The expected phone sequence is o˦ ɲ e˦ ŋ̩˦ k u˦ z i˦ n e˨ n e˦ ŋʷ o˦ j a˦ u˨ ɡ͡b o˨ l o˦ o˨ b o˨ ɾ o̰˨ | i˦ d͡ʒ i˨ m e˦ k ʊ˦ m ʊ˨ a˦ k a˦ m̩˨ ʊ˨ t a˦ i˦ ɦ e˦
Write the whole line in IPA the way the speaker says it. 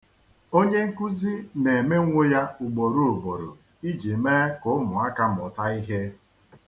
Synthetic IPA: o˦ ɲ e˦ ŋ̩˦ k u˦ z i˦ n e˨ m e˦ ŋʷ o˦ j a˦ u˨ ɡ͡b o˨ ɾ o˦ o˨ b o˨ ɾ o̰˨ | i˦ d͡ʒ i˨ m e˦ k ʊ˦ m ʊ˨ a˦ k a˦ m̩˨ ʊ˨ t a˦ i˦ ɦ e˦